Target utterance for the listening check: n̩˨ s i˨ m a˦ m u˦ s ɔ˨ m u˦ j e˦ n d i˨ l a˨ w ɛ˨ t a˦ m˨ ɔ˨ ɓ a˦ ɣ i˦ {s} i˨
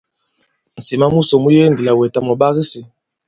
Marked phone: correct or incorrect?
correct